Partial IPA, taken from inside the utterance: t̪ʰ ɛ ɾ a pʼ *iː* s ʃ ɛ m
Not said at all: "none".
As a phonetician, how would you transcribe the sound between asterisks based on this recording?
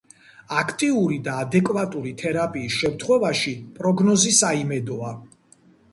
iː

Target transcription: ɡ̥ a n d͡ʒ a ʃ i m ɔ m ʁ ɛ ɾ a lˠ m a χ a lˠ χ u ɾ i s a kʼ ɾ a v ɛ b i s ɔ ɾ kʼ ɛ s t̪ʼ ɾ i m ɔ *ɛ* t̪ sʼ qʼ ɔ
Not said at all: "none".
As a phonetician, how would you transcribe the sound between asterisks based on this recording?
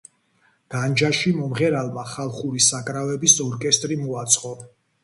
a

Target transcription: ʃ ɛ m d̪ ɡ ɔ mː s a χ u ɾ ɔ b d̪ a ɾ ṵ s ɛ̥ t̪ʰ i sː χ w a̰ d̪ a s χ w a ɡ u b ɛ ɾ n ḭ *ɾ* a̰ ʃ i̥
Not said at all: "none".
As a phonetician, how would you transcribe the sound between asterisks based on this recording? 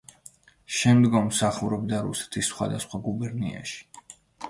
none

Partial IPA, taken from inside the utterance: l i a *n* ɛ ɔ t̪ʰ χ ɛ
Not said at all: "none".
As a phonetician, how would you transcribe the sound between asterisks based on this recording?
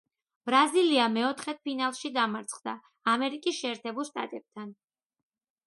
m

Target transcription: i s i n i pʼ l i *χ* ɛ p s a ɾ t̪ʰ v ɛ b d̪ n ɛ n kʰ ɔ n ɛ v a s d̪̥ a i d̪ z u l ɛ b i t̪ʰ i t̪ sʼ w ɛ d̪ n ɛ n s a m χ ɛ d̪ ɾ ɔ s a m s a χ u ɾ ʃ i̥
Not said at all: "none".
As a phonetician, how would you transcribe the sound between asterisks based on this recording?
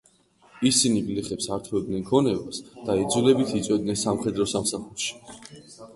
χ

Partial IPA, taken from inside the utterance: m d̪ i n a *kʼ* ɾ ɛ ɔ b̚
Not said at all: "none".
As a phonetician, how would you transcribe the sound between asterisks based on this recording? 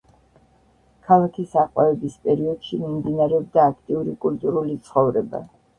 none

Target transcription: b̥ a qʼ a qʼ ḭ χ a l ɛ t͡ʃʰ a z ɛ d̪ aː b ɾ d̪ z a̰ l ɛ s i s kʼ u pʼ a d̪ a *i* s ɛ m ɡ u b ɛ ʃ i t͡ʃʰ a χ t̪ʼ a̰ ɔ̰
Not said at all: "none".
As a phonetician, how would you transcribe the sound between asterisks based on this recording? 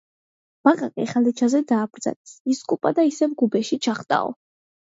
i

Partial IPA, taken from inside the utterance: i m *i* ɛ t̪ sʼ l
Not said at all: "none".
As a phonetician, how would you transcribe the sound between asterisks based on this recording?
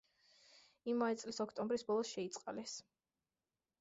a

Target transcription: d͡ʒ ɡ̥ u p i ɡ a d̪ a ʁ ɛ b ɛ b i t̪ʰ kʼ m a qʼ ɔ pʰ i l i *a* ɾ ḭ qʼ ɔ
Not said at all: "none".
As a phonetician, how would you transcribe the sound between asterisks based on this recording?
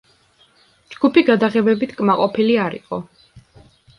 a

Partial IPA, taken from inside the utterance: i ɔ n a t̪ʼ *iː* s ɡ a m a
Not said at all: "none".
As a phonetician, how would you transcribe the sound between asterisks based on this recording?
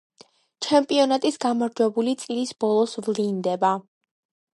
i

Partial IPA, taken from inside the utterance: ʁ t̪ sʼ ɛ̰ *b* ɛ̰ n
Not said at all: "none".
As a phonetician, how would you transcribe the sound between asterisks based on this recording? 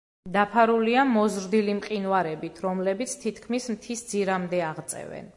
v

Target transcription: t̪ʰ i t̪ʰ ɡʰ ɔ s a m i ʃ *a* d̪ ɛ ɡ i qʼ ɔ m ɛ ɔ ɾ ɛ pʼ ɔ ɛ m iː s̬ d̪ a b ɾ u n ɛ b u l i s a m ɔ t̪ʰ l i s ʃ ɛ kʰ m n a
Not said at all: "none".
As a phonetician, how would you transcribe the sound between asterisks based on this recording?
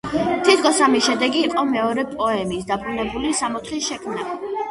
ɛ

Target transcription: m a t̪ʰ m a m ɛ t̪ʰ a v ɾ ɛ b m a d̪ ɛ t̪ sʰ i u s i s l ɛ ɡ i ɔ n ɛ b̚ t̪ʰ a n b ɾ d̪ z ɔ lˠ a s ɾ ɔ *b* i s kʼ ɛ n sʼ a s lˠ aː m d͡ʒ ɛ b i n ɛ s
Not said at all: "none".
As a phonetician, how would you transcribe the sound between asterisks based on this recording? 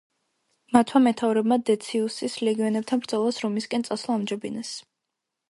m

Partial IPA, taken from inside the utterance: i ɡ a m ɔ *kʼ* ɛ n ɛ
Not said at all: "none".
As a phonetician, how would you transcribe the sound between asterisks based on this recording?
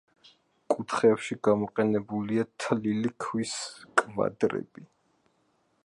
qʼ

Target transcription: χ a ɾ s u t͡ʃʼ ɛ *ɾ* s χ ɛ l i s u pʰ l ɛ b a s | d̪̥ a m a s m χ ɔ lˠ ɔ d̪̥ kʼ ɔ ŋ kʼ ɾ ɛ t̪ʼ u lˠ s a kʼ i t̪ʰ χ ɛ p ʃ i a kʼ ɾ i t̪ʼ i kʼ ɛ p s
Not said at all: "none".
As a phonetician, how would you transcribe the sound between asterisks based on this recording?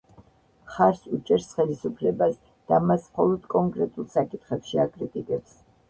ɾ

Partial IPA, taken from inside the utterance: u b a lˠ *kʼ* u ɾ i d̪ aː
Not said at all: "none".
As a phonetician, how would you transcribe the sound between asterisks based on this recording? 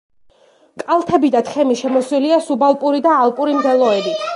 pʼ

